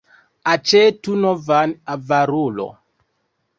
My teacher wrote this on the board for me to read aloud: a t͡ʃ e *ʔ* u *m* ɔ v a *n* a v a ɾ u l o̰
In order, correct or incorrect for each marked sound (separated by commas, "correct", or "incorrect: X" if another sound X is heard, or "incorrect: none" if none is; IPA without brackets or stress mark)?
incorrect: t, incorrect: n, correct